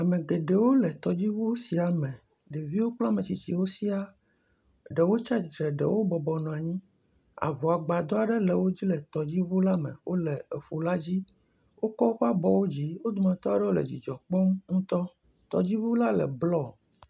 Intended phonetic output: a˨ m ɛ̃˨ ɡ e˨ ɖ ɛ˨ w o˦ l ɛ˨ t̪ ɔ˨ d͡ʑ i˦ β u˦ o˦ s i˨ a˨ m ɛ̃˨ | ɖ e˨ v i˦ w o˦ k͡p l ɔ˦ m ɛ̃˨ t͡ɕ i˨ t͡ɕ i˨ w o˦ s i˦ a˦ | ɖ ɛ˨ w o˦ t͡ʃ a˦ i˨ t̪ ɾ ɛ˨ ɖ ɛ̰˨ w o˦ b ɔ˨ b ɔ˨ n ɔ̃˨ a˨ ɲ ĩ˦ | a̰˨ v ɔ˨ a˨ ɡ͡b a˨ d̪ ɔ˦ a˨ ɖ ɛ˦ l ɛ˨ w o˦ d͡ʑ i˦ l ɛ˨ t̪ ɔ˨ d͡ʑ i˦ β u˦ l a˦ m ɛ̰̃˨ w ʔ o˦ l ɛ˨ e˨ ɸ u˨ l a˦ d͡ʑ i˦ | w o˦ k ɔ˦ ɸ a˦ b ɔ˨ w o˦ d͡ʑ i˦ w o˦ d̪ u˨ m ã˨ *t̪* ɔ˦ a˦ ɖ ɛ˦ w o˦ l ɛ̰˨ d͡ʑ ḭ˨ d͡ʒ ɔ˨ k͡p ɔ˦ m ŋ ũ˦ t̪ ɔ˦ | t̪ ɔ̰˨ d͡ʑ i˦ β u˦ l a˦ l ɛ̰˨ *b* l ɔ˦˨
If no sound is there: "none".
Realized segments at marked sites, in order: t̪, b

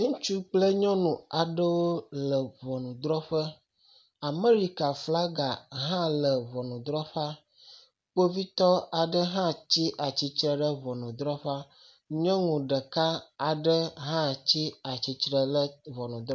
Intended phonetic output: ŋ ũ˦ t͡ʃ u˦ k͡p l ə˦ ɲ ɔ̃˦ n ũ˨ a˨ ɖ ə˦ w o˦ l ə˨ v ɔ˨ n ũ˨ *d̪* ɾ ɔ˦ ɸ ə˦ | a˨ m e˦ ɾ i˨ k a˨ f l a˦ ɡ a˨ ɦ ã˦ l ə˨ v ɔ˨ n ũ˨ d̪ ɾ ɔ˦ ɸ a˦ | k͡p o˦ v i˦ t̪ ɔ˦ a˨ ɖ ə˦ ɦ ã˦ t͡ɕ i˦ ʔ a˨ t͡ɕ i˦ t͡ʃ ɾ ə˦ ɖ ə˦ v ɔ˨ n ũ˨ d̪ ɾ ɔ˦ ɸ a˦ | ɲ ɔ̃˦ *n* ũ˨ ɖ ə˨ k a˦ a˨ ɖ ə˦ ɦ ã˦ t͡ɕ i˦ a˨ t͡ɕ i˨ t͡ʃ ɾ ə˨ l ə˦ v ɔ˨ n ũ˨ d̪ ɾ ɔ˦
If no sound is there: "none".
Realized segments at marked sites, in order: d̪, ŋ

